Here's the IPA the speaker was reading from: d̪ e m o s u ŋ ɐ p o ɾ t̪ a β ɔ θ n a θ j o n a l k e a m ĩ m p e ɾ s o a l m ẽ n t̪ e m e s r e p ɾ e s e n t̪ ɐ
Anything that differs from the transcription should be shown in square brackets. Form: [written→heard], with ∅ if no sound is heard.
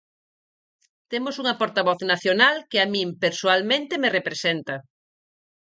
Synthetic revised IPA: [d̪→t̪] e m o s u ŋ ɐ p o ɾ t̪ a β ɔ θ n a θ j o n a l k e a m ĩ m p e ɾ s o a l m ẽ n t̪ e m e [s→∅] r e p ɾ e s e n t̪ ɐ